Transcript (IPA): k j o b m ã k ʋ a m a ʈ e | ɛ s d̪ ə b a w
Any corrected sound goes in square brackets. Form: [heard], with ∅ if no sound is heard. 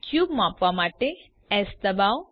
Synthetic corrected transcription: k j [u] b m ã [p] ʋ a m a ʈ e | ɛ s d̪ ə b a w